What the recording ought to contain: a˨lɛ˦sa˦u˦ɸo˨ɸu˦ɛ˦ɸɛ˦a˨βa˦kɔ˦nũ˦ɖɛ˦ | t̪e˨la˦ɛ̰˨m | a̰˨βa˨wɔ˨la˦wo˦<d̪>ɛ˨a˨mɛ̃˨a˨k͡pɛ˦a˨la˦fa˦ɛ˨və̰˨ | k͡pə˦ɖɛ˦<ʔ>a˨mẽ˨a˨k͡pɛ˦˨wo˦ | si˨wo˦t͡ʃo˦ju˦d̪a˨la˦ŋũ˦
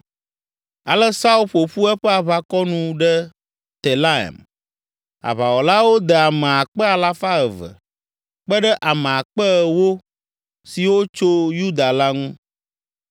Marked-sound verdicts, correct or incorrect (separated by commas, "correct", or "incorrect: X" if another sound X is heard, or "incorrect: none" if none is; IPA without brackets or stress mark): correct, correct